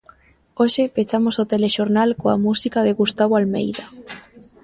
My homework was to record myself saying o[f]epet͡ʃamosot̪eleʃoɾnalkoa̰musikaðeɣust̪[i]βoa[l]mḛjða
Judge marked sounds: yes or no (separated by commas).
no, no, yes